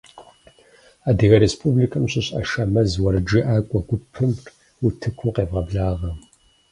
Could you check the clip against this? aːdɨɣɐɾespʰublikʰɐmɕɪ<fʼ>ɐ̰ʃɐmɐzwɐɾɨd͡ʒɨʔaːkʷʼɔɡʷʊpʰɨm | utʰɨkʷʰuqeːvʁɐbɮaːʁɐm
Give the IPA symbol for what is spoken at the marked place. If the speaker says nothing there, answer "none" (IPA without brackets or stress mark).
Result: ɕʼ